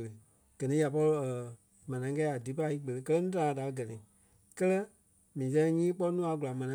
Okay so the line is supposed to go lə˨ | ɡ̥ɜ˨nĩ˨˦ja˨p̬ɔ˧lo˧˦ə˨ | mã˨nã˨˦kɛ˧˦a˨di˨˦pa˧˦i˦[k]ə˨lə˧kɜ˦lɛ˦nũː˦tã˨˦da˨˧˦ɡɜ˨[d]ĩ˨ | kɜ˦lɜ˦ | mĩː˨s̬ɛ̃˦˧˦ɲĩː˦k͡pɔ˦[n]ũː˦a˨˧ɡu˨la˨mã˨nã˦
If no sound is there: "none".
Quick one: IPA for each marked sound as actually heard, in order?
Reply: k͡p, n, n

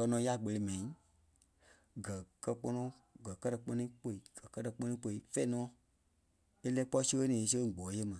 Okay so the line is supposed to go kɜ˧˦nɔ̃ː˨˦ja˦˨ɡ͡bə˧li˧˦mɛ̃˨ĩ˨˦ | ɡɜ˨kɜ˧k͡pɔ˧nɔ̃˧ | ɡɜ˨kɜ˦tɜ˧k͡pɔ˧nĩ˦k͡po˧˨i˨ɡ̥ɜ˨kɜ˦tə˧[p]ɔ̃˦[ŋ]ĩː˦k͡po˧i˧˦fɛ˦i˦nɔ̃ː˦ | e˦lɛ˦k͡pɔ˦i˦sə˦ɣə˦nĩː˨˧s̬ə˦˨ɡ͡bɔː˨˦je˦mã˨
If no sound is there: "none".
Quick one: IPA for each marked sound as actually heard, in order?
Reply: k͡p, n

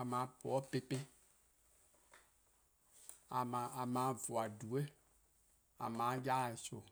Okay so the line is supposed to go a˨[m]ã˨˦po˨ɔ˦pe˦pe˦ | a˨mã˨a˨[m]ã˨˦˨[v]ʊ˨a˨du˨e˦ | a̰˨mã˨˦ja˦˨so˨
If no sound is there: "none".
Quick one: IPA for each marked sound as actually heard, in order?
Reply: m, m, v

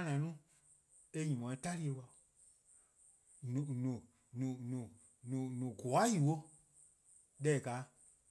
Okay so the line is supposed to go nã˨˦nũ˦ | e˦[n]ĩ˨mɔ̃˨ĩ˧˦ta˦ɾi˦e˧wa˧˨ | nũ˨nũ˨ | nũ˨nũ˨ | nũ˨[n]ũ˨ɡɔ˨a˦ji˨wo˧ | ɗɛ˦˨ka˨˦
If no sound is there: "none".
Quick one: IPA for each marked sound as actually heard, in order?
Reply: ɲ, n

